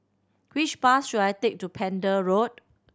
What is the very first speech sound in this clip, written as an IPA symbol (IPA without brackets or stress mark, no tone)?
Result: w